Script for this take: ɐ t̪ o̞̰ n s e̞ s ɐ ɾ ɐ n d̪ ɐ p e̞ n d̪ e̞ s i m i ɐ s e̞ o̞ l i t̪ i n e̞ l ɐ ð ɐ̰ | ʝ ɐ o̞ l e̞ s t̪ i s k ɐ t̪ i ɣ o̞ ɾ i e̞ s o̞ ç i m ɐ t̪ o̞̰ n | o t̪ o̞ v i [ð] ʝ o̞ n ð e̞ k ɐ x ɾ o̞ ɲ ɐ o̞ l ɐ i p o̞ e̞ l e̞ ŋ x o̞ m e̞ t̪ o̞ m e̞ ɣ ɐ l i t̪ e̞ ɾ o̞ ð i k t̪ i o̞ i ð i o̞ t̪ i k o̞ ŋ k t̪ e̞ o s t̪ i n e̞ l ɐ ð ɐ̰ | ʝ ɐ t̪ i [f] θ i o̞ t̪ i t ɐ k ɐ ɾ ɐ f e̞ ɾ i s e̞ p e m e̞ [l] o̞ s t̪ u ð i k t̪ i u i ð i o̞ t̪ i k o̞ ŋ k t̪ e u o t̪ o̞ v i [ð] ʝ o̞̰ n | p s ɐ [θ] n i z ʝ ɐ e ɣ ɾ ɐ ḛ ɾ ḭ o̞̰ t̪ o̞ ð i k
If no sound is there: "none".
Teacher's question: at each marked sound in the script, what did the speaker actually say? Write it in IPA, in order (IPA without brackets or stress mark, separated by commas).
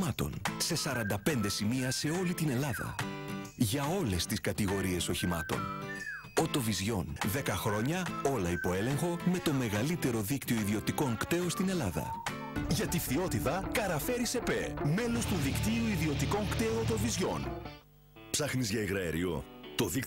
z, f, l, z, x